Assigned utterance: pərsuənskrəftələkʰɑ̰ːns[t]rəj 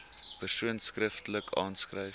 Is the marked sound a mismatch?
yes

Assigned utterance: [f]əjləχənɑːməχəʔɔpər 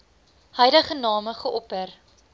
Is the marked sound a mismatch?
yes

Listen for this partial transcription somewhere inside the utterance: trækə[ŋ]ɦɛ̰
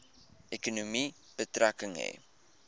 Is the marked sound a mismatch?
no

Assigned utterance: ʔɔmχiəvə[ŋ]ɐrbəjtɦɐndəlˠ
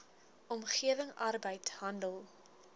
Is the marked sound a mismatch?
no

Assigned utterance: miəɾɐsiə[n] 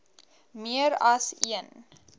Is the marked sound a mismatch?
no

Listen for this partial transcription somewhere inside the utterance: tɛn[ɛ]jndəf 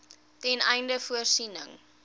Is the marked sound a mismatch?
no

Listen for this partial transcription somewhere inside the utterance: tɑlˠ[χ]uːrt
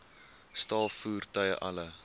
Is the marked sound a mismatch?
yes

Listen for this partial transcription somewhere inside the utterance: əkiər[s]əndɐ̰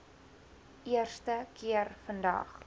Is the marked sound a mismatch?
yes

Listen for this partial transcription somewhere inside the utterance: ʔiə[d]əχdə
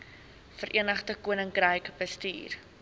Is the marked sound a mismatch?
yes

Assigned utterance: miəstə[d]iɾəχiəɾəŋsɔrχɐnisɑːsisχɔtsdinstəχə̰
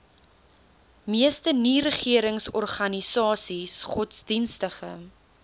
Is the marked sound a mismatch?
yes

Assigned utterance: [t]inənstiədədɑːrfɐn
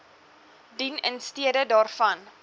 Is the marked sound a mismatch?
yes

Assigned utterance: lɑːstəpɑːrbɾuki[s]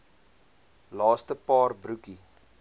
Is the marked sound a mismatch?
yes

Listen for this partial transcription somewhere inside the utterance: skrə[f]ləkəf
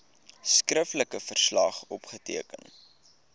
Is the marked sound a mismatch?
no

